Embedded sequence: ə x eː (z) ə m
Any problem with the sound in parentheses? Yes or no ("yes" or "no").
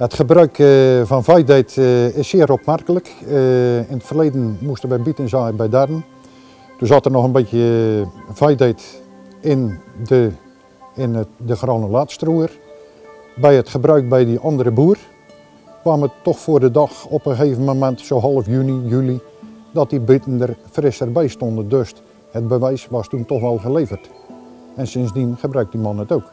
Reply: yes